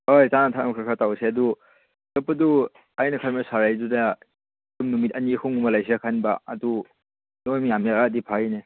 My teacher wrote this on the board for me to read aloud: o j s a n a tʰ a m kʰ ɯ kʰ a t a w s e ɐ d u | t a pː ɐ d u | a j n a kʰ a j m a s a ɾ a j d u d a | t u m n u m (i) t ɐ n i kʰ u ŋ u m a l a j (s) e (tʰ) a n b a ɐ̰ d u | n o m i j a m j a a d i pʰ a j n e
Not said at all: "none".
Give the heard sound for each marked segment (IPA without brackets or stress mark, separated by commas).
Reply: i, s, kʰ